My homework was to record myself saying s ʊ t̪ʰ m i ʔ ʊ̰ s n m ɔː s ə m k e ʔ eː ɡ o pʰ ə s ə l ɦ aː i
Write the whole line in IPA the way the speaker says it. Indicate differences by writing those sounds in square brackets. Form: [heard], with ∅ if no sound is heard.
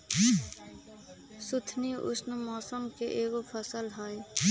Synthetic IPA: s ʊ t̪ʰ [n] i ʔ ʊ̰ s n m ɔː s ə m k e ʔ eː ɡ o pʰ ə s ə l ɦ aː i

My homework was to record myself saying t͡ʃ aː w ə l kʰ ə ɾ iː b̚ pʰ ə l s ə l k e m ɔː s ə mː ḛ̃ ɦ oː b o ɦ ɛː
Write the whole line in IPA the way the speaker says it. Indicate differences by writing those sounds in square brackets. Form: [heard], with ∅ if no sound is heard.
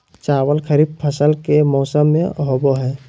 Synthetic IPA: t͡ʃ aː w ə l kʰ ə ɾ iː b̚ pʰ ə [∅] s ə l k e m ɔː s ə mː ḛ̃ ɦ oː b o ɦ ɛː

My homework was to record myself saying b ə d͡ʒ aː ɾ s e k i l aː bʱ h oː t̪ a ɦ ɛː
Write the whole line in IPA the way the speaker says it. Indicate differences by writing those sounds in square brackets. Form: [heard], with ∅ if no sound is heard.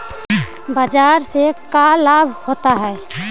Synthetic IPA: b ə d͡ʒ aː ɾ s e k [a] l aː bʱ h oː t̪ a ɦ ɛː

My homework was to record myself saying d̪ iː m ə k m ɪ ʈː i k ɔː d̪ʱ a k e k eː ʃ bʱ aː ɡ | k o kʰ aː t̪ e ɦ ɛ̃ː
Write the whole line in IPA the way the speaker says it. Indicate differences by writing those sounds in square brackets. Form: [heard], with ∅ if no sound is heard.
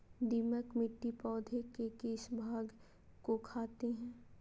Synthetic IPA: d̪ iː m ə k m ɪ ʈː i [p] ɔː d̪ʱ [e] k e k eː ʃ bʱ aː ɡ | k o kʰ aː t̪ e ɦ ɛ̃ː

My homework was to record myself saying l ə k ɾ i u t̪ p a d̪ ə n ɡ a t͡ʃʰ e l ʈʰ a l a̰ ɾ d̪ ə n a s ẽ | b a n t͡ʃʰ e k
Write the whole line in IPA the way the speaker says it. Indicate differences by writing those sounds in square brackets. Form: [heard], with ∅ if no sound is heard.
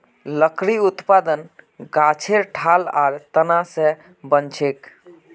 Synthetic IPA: l ə k ɾ i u t̪ p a d̪ ə n ɡ a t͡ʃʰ e [ɾ] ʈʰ a l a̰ ɾ [t̪] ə n a s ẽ | b [ə] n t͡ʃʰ e k

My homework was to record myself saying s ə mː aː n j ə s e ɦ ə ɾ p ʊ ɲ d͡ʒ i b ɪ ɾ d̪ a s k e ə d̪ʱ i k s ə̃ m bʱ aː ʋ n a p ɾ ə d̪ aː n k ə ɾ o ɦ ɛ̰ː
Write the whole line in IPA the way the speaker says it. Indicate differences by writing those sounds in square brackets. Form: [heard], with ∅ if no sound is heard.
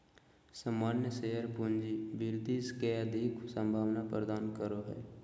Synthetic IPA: s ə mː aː n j ə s e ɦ ə ɾ p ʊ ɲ d͡ʒ i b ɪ ɾ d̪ [i] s k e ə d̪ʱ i k s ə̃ m bʱ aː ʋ n a p ɾ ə d̪ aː n k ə ɾ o ɦ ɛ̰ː

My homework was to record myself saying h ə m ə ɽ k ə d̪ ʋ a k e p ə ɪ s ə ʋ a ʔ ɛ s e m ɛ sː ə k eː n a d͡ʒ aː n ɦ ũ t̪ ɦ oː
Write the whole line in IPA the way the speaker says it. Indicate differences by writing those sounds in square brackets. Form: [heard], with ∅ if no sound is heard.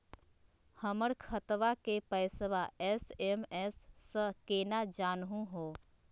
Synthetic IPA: h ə m ə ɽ [kʰ] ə [t̪] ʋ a k e p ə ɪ s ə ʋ a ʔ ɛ s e m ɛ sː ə k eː n a d͡ʒ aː n ɦ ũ [∅] ɦ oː

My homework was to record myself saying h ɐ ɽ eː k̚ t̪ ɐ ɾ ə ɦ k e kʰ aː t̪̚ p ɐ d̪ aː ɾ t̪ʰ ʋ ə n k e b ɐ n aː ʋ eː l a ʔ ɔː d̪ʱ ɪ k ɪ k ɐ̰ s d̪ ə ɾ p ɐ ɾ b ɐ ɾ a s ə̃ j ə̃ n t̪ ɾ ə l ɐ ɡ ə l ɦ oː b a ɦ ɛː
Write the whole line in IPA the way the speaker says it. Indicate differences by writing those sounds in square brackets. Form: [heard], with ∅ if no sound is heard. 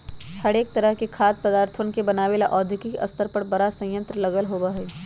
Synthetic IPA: h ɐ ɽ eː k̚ t̪ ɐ ɾ ə ɦ k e kʰ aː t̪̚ p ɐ d̪ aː ɾ t̪ʰ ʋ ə n k e b ɐ n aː ʋ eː l a ʔ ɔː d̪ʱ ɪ k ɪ k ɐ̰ s [t̪] ə ɾ p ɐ ɾ b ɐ ɾ a s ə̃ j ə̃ n t̪ ɾ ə l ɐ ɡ ə l ɦ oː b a ɦ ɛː

